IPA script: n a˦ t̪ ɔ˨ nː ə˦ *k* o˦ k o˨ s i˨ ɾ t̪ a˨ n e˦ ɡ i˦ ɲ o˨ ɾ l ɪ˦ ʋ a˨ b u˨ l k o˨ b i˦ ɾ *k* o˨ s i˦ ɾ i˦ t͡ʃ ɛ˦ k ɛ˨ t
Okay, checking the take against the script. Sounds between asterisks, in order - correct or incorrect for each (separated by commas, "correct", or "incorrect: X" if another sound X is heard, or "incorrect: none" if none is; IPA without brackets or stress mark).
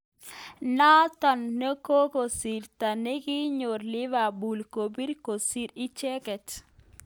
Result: correct, correct